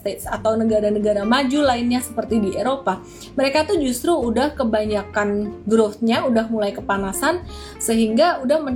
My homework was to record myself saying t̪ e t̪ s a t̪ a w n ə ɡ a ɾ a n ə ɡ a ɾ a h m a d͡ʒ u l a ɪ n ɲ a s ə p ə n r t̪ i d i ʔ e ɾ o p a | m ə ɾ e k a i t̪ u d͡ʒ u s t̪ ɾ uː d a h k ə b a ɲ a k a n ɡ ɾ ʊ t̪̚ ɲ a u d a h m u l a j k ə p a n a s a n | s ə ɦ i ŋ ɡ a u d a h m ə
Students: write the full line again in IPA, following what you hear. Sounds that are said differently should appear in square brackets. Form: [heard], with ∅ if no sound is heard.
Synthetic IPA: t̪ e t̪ s a t̪ a w n ə ɡ a ɾ a n ə ɡ a ɾ a [∅] m a d͡ʒ u l a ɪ n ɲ a s ə p ə [∅] r t̪ i d i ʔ e ɾ o p a | m ə ɾ e k a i t̪ u d͡ʒ u s t̪ ɾ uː d a h k ə b a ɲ a k a n ɡ ɾ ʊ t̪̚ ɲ a u d a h m u l a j k ə p a n a s a n | s ə ɦ i ŋ ɡ a u d a h m ə